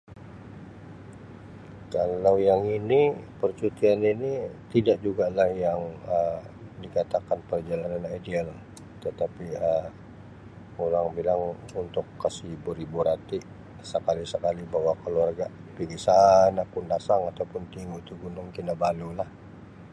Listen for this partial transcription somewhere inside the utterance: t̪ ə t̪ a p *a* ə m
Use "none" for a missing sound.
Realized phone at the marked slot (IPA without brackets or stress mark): i